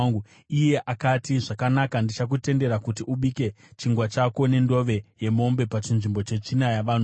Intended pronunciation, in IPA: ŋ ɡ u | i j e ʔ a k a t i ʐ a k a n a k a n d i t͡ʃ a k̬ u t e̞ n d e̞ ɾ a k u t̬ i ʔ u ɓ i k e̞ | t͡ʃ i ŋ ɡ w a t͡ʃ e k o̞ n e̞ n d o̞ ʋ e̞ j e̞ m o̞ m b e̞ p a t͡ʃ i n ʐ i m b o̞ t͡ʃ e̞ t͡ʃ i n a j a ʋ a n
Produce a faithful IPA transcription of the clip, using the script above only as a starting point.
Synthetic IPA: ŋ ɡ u | i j e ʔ a k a t i ʐ a k a n a k a n d i t͡ʃ a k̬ u t e̞ n d e̞ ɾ a k u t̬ i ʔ u ɓ i k e̞ | t͡ʃ i ŋ ɡ w a t͡ʃ a k o̞ n e̞ n d o̞ ʋ e̞ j e̞ m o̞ m b e̞ p a t͡ʃ i n ʐ i m b o̞ t͡ʃ e̞ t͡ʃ i n a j a ʋ a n